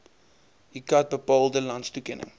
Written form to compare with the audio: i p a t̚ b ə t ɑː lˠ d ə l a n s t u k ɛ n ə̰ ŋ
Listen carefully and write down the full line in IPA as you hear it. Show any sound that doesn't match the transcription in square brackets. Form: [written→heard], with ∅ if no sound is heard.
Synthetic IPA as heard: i [p→k] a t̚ b ə [t→p] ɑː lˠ d ə l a n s t u k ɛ n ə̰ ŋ